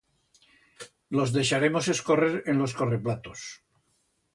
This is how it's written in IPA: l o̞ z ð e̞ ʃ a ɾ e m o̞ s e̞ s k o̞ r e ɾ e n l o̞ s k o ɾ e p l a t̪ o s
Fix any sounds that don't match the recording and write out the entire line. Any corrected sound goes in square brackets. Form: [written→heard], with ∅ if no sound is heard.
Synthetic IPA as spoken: l o̞ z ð e̞ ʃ a ɾ e m o̞ s e̞ s k o̞ r e ɾ e n l o̞ s k o [ɾ→r] e p l a t̪ o s